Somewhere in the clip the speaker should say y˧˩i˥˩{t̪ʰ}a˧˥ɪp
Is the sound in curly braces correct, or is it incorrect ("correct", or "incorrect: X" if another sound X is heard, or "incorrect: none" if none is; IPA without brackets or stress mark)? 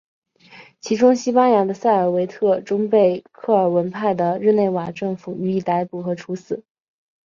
incorrect: t̪